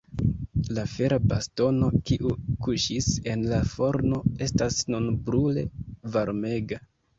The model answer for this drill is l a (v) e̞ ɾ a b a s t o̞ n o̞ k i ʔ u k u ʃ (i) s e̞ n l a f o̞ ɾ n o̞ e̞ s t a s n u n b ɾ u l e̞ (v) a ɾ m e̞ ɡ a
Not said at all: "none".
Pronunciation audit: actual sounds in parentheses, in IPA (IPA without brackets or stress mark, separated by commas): f, i, v